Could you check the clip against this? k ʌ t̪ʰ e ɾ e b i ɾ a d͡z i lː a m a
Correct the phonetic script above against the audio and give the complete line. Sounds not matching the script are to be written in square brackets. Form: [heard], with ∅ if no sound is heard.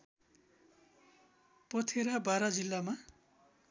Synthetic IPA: [p] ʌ t̪ʰ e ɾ [a] b [a] ɾ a d͡z i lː a m a